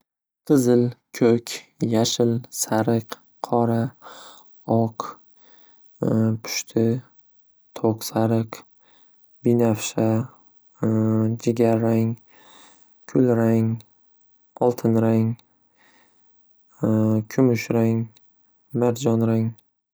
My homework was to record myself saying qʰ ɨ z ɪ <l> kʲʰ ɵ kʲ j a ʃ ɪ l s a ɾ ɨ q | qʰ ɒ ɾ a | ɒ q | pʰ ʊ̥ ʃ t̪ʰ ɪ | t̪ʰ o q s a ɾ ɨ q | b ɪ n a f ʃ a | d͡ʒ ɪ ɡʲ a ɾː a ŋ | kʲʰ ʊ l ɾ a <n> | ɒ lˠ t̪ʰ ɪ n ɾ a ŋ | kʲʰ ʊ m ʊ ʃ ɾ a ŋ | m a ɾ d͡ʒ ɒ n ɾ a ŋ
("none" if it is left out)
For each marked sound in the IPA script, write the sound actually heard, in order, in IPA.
l, ŋ

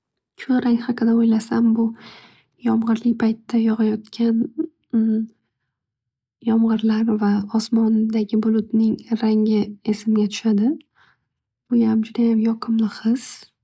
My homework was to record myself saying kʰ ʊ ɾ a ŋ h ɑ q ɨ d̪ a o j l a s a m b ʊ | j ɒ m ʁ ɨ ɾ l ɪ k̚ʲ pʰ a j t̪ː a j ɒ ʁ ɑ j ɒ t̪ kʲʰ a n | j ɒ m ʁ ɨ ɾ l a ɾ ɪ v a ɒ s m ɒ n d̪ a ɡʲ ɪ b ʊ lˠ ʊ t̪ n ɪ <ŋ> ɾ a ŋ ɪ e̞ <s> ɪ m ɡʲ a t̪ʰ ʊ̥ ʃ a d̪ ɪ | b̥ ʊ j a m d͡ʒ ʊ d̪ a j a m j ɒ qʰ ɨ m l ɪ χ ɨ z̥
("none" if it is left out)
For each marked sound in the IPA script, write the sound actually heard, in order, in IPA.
ŋ, s

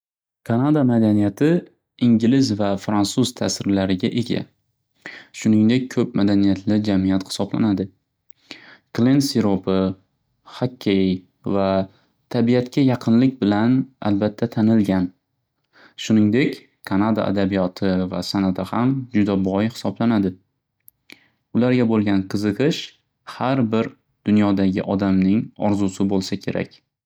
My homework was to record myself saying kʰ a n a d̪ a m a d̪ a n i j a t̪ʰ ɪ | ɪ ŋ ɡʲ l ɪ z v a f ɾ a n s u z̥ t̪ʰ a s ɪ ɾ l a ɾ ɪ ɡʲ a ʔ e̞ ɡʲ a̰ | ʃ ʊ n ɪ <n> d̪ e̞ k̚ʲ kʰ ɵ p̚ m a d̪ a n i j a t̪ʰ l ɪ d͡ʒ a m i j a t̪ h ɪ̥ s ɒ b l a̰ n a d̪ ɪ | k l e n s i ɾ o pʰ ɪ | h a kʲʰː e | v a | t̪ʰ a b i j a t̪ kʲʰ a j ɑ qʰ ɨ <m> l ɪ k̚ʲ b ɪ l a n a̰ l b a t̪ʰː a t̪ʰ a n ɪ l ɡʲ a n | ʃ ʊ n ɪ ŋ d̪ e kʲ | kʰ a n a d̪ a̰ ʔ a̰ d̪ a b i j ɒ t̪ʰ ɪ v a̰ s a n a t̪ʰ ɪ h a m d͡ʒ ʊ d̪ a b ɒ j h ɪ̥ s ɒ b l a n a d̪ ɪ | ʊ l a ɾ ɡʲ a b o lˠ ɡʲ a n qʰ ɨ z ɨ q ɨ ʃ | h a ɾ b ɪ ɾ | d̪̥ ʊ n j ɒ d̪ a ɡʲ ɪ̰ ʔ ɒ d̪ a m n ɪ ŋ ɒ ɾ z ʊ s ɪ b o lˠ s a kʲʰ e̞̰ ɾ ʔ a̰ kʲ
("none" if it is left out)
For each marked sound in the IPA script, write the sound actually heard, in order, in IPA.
ŋ, n

